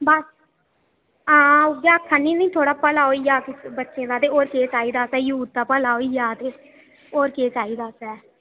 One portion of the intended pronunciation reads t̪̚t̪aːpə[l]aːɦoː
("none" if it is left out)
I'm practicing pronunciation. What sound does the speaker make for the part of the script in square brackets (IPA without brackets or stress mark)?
l